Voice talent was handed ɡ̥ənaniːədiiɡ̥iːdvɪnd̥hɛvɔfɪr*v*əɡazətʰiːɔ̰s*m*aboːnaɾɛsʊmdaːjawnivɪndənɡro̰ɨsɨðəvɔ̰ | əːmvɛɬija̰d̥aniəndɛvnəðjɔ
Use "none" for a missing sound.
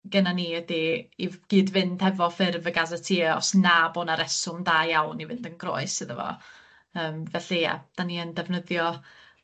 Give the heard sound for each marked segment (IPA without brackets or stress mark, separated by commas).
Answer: v, n